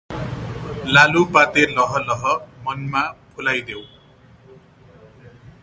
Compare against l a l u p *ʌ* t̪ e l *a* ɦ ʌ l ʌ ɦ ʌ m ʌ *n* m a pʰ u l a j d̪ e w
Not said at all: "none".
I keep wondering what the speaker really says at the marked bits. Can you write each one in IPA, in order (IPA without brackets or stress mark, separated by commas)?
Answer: a, ʌ, n